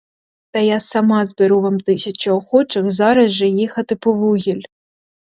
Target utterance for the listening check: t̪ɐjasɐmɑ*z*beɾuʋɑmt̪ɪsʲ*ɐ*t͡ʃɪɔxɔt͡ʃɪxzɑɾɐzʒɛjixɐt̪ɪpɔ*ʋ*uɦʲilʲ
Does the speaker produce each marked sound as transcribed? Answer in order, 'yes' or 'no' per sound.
yes, yes, yes

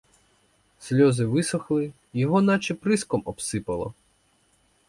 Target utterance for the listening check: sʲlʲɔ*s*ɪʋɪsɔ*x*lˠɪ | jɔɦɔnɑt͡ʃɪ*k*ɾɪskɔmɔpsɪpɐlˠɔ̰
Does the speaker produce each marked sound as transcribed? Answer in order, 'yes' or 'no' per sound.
no, yes, no

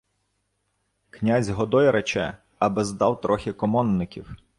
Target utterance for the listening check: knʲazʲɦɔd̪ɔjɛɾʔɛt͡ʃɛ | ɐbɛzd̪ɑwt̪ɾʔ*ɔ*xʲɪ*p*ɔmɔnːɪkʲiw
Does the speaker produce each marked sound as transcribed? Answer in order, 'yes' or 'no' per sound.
yes, no

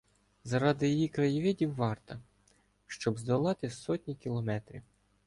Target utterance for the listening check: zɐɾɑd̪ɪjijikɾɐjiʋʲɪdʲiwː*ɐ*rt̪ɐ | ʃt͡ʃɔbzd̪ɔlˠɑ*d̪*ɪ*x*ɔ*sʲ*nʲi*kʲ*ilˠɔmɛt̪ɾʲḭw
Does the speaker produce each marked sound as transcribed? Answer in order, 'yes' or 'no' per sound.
no, no, no, no, yes

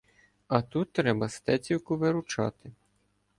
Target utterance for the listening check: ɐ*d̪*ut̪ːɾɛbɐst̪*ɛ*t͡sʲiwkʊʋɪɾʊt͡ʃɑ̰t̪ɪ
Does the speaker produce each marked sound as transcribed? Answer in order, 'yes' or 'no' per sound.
no, yes

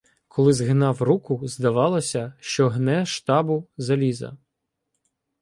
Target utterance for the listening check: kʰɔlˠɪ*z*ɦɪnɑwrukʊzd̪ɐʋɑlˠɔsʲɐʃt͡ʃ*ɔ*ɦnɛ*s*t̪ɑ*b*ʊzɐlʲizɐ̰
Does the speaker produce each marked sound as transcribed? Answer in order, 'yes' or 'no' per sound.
yes, yes, no, yes

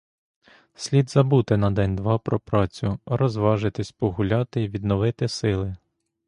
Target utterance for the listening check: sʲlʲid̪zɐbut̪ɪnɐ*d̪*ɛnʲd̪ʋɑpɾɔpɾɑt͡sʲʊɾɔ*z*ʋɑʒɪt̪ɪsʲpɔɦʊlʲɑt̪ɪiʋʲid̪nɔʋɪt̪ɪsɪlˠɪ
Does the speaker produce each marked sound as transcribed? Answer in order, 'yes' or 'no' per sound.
yes, yes

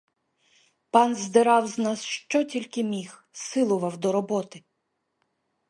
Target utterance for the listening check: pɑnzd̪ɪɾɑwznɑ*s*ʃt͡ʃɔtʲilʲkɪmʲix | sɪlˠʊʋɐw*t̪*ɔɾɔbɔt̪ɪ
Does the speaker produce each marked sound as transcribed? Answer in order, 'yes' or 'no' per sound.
yes, no

